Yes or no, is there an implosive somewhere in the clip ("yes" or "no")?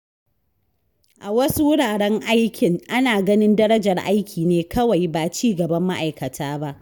no